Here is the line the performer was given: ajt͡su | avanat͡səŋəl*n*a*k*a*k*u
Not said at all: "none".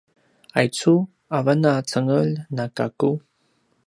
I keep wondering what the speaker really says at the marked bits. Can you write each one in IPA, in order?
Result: n, k, k

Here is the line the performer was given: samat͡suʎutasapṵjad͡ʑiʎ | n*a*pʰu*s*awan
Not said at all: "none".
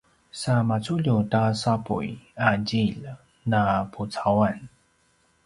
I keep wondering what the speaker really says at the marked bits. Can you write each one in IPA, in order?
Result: a, t͡s

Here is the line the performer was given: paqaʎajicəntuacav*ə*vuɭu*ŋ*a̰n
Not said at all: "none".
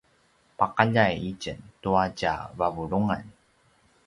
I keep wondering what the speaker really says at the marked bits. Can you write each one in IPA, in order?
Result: a, ŋ

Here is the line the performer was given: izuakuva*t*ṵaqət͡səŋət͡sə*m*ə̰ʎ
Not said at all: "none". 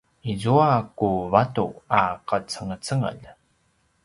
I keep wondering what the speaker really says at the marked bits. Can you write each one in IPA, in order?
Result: t, ŋ

